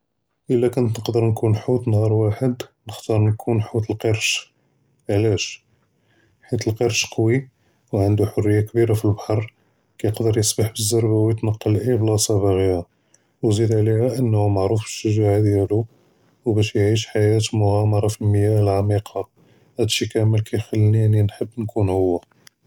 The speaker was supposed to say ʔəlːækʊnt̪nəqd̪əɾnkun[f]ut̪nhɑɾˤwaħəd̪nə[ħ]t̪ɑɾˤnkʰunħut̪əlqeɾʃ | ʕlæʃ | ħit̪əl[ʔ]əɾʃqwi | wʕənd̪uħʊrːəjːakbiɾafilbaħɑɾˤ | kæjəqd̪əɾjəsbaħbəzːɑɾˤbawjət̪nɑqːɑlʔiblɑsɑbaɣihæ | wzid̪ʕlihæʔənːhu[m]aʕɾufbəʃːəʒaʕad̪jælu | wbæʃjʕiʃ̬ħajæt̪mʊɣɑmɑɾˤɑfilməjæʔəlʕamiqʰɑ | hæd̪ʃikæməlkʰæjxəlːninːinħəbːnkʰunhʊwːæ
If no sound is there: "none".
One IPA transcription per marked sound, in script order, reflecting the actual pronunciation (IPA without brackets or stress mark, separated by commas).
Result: ħ, x, q, m